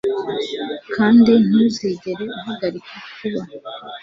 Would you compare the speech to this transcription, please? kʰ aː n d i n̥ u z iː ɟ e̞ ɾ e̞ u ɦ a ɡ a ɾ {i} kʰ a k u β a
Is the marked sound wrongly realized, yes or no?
no